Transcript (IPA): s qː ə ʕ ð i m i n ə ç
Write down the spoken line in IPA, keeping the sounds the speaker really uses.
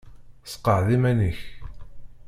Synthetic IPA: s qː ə ʕ ð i m æ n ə ç